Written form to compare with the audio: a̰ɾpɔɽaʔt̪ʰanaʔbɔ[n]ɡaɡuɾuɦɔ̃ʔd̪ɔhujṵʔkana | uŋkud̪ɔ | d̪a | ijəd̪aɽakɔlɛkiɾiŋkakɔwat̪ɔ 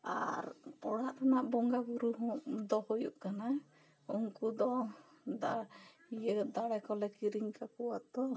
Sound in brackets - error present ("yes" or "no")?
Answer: yes